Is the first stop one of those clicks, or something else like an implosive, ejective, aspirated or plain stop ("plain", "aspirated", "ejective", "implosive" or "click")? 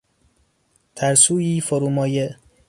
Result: aspirated